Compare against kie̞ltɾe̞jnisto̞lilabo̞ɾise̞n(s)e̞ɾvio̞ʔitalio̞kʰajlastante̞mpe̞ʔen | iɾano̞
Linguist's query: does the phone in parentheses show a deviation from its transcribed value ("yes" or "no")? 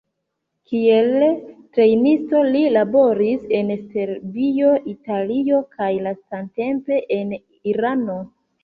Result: no